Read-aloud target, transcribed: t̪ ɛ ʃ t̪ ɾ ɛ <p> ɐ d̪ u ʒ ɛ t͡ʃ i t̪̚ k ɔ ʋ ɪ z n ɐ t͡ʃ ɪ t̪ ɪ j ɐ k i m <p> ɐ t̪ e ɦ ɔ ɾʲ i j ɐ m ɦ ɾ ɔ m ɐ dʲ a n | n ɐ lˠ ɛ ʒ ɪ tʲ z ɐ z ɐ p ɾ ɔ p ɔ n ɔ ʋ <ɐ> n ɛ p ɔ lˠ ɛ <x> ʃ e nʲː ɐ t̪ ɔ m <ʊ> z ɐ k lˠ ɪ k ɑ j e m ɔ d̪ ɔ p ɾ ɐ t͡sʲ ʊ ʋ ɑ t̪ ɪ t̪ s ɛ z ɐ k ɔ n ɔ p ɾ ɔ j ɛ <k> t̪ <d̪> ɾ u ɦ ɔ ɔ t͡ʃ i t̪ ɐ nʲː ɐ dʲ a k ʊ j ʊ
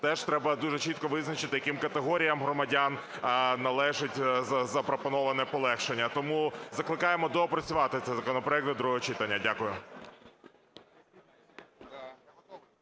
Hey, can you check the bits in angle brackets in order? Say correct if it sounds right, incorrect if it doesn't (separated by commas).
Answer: incorrect, incorrect, correct, correct, incorrect, correct, correct